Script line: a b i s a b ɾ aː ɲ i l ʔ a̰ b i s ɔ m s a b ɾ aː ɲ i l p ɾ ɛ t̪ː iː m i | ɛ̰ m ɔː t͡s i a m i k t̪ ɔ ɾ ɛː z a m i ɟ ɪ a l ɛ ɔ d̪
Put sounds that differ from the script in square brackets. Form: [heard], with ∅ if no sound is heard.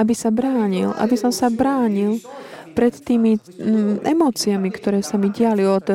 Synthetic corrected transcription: a b i s a b ɾ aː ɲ i l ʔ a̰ b i s ɔ m s a b ɾ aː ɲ i l p ɾ ɛ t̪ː iː m i | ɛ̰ m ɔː t͡s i a m i k t̪ ɔ ɾ ɛː [s] a m i ɟ ɪ a l [i] ɔ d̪